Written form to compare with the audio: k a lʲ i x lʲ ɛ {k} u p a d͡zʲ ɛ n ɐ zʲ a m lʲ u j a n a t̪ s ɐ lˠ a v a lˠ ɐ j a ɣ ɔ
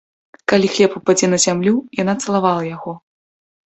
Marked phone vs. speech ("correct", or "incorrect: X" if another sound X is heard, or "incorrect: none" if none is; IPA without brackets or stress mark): incorrect: p